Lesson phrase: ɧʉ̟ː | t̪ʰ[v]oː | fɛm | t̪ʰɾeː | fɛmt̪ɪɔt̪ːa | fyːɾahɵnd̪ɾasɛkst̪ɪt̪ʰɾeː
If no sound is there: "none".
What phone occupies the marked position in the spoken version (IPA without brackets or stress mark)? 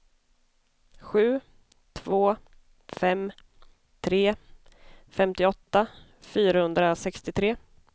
v